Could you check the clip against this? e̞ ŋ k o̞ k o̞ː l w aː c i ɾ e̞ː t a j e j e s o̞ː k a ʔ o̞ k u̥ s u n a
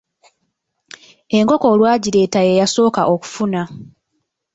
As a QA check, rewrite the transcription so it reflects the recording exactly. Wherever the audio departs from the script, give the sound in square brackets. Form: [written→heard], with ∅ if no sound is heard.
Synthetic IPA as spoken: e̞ ŋ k o̞ k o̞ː l w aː [c→ɟ] i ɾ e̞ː t a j e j [e→a] s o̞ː k a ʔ o̞ k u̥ [s→f] u n a

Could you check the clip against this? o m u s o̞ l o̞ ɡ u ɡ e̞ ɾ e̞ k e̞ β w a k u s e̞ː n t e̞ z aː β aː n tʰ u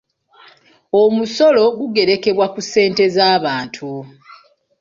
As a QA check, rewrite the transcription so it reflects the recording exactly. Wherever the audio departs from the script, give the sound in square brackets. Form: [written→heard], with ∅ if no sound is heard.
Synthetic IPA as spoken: o m u s o̞ l o̞ ɡ u ɡ e̞ ɾ e̞ k e̞ β w a k u s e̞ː n t e̞ z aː β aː n tʰ u

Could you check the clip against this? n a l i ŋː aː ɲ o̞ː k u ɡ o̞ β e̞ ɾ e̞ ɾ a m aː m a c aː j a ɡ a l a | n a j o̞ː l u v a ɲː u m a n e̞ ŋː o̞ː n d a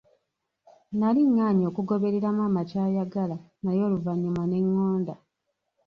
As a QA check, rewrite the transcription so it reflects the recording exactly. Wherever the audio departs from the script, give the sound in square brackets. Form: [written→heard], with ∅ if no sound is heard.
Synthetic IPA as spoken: n a l i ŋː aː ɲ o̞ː k u ɡ o̞ β e̞ ɾ e̞ ɾ a m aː m a c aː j a ɡ a l a | n a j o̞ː l u v a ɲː u m a n e̞ ŋː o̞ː n d a

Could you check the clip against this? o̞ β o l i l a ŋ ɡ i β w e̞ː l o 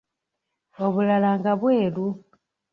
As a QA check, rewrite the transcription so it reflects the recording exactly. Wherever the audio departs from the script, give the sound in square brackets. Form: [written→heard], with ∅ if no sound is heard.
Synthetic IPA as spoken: o̞ β [o→u] l [i→a] l a ŋ ɡ [i→a] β w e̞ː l [o→u]

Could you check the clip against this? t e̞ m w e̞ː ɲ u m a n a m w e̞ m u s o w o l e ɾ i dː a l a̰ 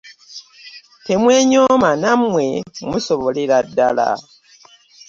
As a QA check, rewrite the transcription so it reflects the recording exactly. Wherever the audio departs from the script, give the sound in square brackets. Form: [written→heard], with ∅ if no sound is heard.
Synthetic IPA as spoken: t e̞ m w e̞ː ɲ [u→o] m a n a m w e̞ m u s o [w→β] o l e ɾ [i→a] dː a l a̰

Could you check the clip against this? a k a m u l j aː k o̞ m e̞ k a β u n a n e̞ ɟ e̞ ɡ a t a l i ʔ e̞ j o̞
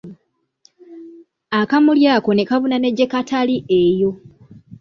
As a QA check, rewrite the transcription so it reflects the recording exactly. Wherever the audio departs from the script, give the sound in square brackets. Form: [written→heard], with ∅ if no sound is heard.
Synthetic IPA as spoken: a k a m u l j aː k o̞ [m→n] e̞ k a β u n a n e̞ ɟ e̞ [ɡ→k] a t a l i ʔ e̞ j o̞

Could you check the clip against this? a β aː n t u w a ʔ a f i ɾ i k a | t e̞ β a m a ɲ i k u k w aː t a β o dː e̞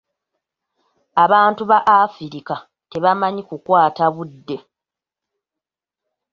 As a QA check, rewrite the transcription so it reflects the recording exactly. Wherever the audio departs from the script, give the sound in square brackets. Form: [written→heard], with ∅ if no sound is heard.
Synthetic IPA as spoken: a β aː n t u [w→β] a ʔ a f i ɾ i k a | t e̞ β a m a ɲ i k u k w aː t a β [o→u] dː e̞

